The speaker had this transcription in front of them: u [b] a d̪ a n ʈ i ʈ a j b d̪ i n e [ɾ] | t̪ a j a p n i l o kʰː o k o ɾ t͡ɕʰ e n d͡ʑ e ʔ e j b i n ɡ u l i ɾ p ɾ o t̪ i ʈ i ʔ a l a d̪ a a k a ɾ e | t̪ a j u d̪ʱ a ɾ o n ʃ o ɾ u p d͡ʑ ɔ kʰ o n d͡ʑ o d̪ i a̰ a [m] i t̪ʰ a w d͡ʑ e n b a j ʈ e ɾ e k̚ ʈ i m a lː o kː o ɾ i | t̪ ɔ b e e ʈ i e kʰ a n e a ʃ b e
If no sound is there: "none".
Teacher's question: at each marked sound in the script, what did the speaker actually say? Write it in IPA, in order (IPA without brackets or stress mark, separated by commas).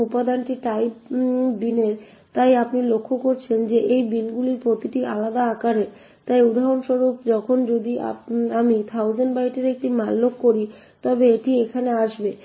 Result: p, ɾ, m